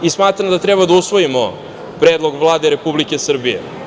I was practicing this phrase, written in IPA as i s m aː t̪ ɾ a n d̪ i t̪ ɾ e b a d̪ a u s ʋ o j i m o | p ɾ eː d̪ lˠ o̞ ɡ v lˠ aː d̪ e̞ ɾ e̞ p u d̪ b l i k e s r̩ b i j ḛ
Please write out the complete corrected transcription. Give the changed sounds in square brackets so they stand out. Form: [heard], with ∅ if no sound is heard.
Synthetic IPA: i s m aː t̪ ɾ a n d̪ [a] t̪ ɾ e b a d̪ a u s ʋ o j i m o | p ɾ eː d̪ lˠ o̞ ɡ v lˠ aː d̪ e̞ ɾ e̞ p u [∅] b l i k e s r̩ b i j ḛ